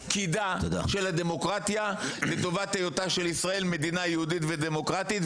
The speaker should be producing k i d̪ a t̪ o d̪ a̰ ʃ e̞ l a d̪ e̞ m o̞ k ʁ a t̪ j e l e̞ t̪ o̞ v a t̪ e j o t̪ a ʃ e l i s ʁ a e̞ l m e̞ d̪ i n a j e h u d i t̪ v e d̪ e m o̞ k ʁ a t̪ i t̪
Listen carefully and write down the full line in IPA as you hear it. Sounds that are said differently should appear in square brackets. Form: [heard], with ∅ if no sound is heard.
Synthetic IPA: k i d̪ a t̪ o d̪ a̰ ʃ e̞ l a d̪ e̞ m o̞ k ʁ a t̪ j [a] l e̞ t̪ o̞ v a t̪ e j o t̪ a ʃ e l i s ʁ a e̞ l m e̞ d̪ i n a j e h u d i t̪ v e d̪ e m o̞ k ʁ a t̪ i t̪